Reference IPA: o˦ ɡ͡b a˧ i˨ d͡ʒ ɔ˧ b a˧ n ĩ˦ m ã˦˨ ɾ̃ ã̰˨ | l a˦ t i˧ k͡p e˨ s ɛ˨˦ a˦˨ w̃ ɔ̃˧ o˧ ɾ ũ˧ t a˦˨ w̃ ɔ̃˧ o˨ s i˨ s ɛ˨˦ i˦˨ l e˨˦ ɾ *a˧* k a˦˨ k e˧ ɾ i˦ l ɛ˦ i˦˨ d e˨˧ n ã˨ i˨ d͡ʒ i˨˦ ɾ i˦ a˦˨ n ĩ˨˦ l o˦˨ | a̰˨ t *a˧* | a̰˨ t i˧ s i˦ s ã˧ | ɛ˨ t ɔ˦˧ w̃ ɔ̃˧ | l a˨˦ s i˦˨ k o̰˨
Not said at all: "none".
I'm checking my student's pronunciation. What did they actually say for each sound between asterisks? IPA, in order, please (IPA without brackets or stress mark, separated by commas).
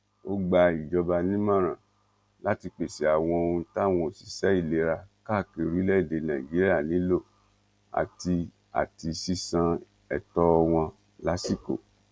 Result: a˧, i˧